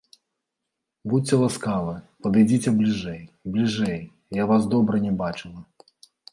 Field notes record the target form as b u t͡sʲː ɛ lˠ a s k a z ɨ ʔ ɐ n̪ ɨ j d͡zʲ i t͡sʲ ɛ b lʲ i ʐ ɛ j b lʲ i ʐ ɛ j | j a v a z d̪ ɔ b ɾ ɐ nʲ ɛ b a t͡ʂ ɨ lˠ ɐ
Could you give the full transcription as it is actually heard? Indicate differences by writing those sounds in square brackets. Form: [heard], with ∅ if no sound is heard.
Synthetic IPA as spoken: b u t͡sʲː ɛ lˠ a s k a [v] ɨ [p] ɐ [d̪] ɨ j d͡zʲ i t͡sʲ ɛ b lʲ i ʐ ɛ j b lʲ i ʐ ɛ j | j a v a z d̪ ɔ b ɾ ɐ nʲ ɛ b a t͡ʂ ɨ lˠ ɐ

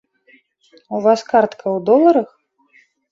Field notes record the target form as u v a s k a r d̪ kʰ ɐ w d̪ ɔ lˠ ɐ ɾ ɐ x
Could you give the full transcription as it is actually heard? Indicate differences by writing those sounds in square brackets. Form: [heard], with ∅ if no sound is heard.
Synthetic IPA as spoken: u v a s k a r [t̪] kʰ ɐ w d̪ ɔ lˠ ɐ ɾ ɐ x

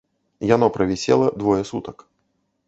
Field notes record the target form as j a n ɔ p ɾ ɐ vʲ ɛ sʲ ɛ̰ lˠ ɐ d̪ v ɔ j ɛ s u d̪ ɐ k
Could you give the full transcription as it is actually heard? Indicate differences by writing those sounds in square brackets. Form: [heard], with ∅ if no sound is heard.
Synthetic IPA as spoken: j a n ɔ p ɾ ɐ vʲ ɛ sʲ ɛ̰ lˠ ɐ d̪ v ɔ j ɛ s u [t̪] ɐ k

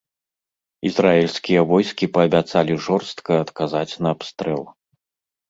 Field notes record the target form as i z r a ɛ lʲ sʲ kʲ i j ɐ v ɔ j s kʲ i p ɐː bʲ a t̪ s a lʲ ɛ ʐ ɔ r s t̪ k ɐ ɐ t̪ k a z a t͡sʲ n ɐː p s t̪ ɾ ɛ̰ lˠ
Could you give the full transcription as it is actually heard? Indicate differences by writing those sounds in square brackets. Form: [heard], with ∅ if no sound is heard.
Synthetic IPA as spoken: i z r a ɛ lʲ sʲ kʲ i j ɐ v ɔ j s kʲ i p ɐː bʲ a t̪ s a lʲ [i] ʐ ɔ r s t̪ k ɐ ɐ t̪ k a z a t͡sʲ n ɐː p s t̪ ɾ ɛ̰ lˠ

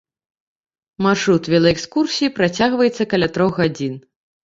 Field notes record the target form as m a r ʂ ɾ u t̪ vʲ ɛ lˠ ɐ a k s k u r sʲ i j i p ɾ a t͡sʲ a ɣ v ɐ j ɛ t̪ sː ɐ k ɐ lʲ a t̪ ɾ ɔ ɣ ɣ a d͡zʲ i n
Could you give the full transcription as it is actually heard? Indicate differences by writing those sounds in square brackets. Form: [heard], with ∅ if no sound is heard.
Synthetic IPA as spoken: m a r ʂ ɾ u t̪ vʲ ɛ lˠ ɐ [ɛ] k s k u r sʲ i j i p ɾ a t͡sʲ a ɣ v ɐ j ɛ t̪ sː ɐ k ɐ lʲ a t̪ ɾ ɔ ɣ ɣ a d͡zʲ i n

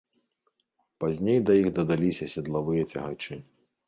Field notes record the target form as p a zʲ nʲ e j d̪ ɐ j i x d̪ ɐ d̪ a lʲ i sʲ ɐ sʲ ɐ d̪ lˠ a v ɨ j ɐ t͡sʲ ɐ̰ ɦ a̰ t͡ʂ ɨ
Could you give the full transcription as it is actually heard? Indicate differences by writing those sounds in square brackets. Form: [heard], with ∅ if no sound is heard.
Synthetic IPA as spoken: p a zʲ nʲ e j d̪ ɐ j i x d̪ ɐ d̪ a lʲ i sʲ ɐ sʲ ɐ d̪ lˠ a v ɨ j ɐ t͡sʲ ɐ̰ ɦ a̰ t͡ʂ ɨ

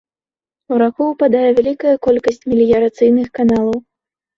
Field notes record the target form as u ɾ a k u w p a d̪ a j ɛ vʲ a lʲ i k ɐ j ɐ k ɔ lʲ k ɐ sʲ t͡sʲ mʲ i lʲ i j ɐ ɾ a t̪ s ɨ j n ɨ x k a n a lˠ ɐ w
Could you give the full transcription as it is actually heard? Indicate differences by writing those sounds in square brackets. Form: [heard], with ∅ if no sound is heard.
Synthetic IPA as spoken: u ɾ a k u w p a d̪ a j ɛ vʲ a lʲ i k ɐ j ɐ k ɔ lʲ k ɐ sʲ t͡sʲ mʲ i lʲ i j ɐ ɾ a t̪ s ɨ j n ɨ x k a n a lˠ ɐ w

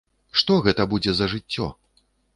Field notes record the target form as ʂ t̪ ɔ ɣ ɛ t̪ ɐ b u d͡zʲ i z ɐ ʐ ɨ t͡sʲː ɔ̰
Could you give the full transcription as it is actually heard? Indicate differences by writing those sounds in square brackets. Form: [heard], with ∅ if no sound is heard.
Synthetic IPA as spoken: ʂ t̪ ɔ ɣ ɛ t̪ ɐ b u d͡zʲ [ɛ] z ɐ ʐ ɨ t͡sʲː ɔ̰

